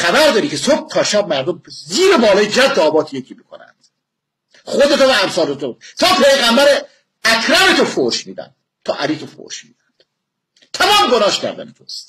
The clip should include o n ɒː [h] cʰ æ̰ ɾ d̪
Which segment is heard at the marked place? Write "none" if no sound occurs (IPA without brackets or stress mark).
ʃ